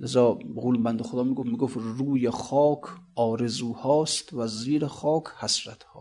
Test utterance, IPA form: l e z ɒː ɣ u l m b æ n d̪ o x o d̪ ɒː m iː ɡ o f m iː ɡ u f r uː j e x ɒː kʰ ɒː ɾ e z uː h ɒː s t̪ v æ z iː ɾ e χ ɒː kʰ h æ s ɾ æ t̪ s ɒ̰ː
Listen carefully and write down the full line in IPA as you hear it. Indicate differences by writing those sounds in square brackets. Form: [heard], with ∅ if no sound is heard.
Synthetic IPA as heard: l e z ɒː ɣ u l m b æ n d̪ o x o d̪ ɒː m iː ɡ o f m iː ɡ [o] f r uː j e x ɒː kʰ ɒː ɾ e z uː h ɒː s t̪ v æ z iː ɾ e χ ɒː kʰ h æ s ɾ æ t̪ [h] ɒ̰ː